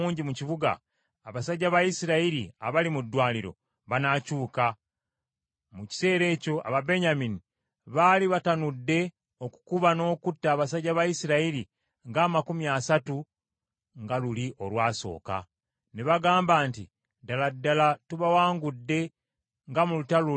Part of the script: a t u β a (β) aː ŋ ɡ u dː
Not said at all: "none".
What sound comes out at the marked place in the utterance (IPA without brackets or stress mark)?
w